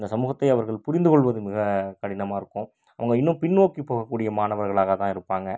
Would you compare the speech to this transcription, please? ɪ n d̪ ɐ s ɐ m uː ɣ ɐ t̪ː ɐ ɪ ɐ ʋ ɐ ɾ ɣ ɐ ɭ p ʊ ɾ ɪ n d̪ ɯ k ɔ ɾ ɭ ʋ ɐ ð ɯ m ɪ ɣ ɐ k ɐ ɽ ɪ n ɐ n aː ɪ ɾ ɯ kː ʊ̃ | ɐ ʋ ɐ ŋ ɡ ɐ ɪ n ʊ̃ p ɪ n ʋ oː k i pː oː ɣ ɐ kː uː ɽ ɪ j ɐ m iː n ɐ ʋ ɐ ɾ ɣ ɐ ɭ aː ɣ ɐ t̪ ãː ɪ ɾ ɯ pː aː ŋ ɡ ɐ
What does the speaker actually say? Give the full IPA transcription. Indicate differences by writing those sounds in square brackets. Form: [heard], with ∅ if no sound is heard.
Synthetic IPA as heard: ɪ n d̪ ɐ s ɐ m uː ɣ ɐ t̪ː ɐ ɪ ɐ ʋ ɐ ɾ ɣ ɐ ɭ p ʊ ɾ ɪ n d̪ ɯ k ɔ [∅] ɭ ʋ ɐ ð ɯ m ɪ ɣ ɐ k ɐ ɽ ɪ n ɐ [m] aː ɪ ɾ ɯ kː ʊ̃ | ɐ ʋ ɐ ŋ ɡ ɐ ɪ [nː] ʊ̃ p ɪ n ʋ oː k i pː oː ɣ ɐ kː uː ɽ ɪ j ɐ m [aː] n ɐ ʋ ɐ ɾ ɣ ɐ ɭ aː ɣ ɐ t̪ ãː ɪ ɾ ɯ pː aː ŋ ɡ ɐ